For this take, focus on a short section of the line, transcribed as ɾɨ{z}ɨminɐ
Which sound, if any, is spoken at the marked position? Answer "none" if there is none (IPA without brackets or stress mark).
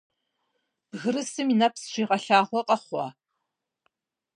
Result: s